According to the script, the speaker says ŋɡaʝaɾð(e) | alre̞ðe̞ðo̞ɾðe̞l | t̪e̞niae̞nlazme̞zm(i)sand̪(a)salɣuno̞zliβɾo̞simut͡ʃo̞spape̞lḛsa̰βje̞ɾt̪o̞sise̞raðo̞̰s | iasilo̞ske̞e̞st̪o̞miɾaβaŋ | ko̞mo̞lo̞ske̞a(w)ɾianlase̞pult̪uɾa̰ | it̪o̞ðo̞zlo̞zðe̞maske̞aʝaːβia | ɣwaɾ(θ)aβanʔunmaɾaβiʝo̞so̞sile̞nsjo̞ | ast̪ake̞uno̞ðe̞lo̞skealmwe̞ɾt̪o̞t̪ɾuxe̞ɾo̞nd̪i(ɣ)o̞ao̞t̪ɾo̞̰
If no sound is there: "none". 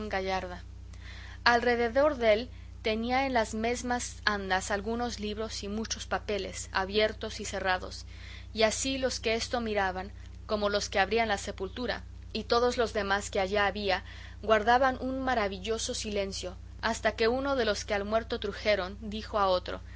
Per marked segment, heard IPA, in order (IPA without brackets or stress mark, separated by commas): a, a, a, β, ð, x